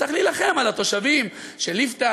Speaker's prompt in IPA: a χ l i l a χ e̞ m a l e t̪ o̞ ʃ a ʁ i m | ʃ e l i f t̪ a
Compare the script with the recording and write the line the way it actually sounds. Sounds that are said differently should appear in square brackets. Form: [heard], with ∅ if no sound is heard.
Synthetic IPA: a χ l i l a χ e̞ m a l [a] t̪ o̞ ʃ a [v] i m | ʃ e l i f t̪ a